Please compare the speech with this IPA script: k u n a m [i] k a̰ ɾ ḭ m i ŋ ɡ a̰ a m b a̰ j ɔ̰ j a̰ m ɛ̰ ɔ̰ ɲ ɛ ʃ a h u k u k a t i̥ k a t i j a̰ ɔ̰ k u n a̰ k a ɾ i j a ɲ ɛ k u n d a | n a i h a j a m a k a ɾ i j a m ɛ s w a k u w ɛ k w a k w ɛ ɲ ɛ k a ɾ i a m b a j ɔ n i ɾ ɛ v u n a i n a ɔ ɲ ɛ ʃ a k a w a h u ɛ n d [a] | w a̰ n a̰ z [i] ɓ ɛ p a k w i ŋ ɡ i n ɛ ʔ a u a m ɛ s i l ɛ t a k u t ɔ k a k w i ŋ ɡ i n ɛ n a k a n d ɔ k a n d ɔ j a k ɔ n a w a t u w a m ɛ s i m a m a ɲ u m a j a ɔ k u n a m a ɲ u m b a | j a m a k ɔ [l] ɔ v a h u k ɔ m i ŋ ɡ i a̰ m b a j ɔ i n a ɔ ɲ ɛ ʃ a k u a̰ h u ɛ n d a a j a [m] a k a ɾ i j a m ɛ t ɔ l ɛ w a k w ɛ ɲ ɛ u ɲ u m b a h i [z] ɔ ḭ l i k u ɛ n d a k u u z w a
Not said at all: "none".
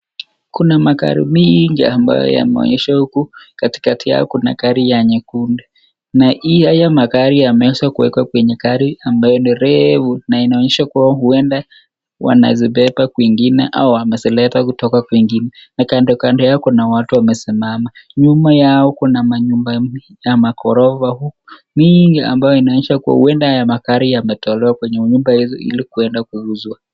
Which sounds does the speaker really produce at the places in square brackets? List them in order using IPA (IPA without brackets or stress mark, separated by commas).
a, a, i, ɾ, m, z